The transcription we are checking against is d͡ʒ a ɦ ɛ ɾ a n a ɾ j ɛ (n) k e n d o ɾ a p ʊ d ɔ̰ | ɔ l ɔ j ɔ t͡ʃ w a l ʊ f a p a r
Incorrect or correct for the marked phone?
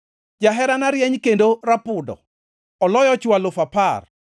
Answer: incorrect: ɲ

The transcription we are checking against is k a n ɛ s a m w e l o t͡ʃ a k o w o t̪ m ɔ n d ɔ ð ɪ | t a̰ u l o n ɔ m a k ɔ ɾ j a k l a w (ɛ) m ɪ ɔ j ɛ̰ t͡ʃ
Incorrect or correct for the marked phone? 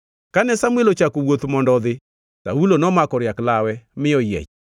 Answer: correct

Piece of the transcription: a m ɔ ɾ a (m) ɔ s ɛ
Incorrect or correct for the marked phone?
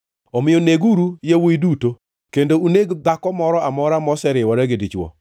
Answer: correct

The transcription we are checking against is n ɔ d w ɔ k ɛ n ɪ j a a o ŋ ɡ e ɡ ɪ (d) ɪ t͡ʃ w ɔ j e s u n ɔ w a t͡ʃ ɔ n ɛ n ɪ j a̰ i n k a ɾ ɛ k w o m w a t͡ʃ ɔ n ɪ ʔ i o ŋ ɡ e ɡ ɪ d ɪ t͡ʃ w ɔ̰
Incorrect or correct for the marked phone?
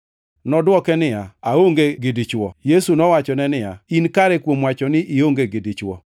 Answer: correct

